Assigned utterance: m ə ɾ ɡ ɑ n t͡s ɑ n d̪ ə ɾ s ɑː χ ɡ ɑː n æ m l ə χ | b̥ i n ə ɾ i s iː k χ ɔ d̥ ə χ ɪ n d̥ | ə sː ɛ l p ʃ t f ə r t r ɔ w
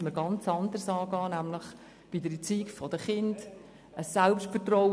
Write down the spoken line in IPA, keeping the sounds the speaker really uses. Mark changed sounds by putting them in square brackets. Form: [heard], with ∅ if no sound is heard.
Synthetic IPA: m ə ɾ ɡ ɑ n t͡s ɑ n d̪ ə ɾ s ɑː [∅] ɡ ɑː n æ m l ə χ | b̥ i [d] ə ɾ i [t͡s] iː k [f] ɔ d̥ ə χ ɪ n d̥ | ə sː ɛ l p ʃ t f ə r t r ɔ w